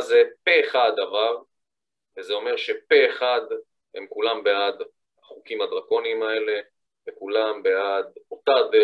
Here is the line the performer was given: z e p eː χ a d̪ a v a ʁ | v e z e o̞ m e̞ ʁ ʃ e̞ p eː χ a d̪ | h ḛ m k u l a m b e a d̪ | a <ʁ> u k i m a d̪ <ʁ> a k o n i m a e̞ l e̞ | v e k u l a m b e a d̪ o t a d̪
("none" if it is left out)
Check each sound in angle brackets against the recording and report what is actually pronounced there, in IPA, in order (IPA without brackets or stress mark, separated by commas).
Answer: χ, ʁ